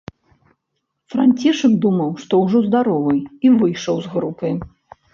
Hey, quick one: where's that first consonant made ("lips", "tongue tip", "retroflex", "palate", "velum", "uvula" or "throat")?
lips